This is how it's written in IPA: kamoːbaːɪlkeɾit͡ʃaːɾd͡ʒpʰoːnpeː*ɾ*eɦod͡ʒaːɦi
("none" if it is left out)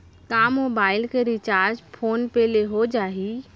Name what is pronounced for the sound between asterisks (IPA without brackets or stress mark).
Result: l